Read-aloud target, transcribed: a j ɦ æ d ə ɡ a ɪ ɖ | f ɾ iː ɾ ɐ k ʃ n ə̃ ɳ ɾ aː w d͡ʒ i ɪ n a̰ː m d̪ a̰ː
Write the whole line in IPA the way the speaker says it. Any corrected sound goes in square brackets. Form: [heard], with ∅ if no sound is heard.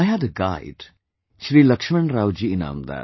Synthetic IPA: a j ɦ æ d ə ɡ a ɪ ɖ | [ʃ] ɾ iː [l] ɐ k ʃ [m] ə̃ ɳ ɾ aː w d͡ʒ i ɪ n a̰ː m d̪ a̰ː